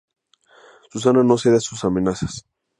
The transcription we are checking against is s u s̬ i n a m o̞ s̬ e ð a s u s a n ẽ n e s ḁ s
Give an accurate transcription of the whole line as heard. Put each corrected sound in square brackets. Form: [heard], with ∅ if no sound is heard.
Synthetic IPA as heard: s u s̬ [a] n a [n] o̞ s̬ e ð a s u s a [m] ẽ n [a] s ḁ s